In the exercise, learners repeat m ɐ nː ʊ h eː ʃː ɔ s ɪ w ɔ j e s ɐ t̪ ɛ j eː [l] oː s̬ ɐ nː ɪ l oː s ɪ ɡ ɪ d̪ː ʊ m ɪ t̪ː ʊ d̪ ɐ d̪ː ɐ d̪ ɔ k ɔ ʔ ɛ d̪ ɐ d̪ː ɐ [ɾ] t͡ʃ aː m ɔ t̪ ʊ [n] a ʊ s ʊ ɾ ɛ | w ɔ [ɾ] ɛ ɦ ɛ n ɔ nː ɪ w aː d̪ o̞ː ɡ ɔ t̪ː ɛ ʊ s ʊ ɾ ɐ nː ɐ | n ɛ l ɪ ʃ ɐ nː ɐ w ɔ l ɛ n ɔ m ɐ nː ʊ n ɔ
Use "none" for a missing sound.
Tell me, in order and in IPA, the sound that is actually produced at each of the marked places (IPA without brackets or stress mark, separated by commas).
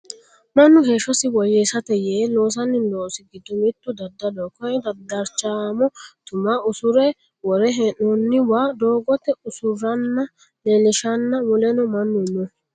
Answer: l, ɾ, m, ɾ